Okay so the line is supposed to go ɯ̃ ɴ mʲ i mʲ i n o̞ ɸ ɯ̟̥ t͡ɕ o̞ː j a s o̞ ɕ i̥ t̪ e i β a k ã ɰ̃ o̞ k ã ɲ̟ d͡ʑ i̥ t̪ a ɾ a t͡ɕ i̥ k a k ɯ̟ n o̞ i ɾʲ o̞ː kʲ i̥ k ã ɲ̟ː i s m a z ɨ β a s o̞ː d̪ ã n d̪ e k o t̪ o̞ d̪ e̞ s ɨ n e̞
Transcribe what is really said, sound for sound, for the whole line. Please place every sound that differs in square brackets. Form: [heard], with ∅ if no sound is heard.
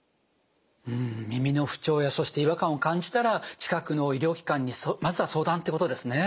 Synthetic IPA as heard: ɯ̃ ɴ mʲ i mʲ i n o̞ ɸ ɯ̟̥ t͡ɕ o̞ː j a s o̞ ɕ i̥ t̪ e i β a k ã ɰ̃ o̞ k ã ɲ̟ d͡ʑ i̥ t̪ a ɾ a t͡ɕ i̥ k a k ɯ̟ n o̞ i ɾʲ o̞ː kʲ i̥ k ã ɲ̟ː i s m a z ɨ β a s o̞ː d̪ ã n [t̪] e k o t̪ o̞ d̪ e̞ s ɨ n e̞

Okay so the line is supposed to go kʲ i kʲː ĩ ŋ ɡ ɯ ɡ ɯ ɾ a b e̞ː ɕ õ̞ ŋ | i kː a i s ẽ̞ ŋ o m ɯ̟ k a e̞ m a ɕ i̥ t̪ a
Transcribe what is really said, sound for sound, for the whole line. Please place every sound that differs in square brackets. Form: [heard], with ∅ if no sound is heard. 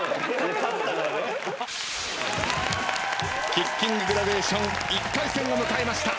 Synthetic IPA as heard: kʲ i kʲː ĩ ŋ ɡ ɯ ɡ ɯ ɾ a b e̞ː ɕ õ̞ ŋ | i kː a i s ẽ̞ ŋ o m ɯ̟ k a e̞ m a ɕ i̥ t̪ a

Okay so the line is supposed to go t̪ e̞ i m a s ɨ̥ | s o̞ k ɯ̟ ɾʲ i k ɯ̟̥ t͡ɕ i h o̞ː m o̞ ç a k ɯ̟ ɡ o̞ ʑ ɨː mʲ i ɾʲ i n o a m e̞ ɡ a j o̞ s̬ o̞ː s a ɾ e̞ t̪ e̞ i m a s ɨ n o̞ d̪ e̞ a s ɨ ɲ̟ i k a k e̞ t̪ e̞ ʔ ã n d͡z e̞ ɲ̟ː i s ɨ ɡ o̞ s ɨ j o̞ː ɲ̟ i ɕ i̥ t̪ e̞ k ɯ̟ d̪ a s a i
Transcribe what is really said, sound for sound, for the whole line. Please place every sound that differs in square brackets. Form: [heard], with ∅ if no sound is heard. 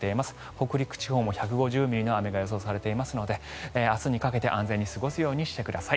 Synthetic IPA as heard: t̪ e̞ i m a s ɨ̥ | [h] o̞ k ɯ̟ ɾʲ i k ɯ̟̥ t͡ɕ i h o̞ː m o̞ ç a k ɯ̟ ɡ o̞ ʑ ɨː mʲ i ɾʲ i n o a m e̞ ɡ a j o̞ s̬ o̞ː s a ɾ e̞ t̪ e̞ i m a s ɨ n o̞ d̪ e̞ a s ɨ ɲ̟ i k a k e̞ t̪ e̞ ʔ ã n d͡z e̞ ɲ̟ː i s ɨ ɡ o̞ s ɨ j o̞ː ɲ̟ i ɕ i̥ t̪ e̞ k ɯ̟ d̪ a s a i

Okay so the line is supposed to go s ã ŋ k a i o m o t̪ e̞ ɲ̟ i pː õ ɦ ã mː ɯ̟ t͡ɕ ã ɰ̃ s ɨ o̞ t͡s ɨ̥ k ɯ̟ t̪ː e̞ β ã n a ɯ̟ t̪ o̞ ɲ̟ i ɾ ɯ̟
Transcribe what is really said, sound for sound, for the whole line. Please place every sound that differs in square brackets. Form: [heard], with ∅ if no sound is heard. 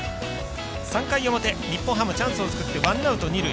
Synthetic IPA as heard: s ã ŋ k a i o m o t̪ e̞ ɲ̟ i pː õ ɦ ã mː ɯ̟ t͡ɕ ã ɰ̃ s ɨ o̞ t͡s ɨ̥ k ɯ̟ t̪ː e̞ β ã n a ɯ̟ t̪ o̞ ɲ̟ i ɾ ɯ̟

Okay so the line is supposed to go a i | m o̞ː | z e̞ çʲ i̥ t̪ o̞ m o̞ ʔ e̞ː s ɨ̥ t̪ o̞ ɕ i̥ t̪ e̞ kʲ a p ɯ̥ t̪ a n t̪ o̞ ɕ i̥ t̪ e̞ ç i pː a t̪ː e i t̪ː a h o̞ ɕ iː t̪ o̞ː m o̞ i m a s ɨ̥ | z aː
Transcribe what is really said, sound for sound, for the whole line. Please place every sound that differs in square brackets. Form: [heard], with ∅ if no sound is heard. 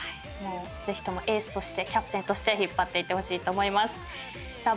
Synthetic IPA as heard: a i | m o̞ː | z e̞ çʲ i̥ t̪ o̞ m o̞ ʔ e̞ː s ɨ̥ t̪ o̞ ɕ i̥ t̪ e̞ kʲ a p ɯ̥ t̪ [e] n t̪ o̞ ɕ i̥ t̪ e̞ ç i pː a t̪ː e i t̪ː [e] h o̞ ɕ iː t̪ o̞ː m o̞ i m a s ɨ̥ | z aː

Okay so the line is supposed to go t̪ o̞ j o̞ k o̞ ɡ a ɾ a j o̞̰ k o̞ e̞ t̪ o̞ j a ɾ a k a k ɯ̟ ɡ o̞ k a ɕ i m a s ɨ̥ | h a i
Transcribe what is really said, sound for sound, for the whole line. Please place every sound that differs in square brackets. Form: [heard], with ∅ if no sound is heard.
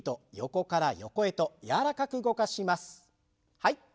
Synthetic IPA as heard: t̪ o̞ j o̞ k o̞ [k] a ɾ a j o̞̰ k o̞ e̞ t̪ o̞ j a ɾ a k a k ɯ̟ ɡ o̞ k a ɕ i m a s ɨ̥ | h a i

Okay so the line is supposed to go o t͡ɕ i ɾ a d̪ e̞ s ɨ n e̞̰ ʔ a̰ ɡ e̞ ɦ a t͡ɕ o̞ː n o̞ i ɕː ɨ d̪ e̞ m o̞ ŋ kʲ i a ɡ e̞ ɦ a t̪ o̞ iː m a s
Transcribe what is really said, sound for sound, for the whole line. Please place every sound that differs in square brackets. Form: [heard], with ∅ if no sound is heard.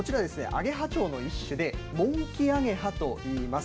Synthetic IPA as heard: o t͡ɕ i ɾ a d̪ e̞ s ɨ n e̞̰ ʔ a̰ ɡ e̞ ɦ a t͡ɕ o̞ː n o̞ i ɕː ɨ d̪ e̞ m [õ̞] ŋ kʲ i a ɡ e̞ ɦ a t̪ o̞ iː m a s

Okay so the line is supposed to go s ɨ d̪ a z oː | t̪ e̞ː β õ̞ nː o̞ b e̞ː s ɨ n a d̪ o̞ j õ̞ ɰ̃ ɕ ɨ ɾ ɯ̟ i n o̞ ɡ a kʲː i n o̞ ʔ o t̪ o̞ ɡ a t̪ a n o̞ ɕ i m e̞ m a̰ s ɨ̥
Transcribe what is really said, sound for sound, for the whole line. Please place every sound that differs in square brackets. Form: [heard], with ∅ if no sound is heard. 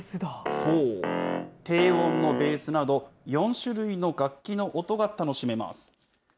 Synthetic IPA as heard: s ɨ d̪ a [s] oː | t̪ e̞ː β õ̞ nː o̞ b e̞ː s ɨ n a d̪ o̞ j õ̞ ɰ̃ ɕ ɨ ɾ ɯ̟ i n o̞ ɡ a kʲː i n o̞ ʔ o t̪ o̞ ɡ a t̪ a n o̞ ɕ i m e̞ m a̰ s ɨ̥

